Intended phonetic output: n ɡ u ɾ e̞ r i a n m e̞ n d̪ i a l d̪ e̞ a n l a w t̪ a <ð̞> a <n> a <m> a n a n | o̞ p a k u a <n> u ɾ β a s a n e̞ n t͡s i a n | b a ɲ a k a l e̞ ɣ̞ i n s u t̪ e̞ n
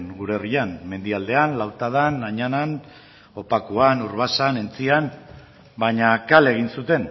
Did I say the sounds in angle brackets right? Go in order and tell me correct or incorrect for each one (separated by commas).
correct, correct, incorrect, correct